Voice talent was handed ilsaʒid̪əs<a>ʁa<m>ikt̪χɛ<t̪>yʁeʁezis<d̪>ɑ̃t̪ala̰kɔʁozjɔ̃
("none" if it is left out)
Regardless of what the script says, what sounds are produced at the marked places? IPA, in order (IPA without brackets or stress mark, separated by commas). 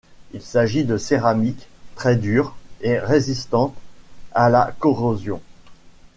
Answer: e, m, d̪, t̪